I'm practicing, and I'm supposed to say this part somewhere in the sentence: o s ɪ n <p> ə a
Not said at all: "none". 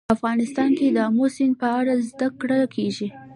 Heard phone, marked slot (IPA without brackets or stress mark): p